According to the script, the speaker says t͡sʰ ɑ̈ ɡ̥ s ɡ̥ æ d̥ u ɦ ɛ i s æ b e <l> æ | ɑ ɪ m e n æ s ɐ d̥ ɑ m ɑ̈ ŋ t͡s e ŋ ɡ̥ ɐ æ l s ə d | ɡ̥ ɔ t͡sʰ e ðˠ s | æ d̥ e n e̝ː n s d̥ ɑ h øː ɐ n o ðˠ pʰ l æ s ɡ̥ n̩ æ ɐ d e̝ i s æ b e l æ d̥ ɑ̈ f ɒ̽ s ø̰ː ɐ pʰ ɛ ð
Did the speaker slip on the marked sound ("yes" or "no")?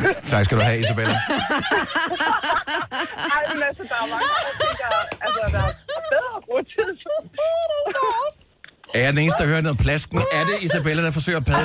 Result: no